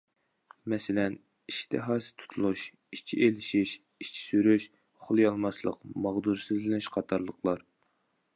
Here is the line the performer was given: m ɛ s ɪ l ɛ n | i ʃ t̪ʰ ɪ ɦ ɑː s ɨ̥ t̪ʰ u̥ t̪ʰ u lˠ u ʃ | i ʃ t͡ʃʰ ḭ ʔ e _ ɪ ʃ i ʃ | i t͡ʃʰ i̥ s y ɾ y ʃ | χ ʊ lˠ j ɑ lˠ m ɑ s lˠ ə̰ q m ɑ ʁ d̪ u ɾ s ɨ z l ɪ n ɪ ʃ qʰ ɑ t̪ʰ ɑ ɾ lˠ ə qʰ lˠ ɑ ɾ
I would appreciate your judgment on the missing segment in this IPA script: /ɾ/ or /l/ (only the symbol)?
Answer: l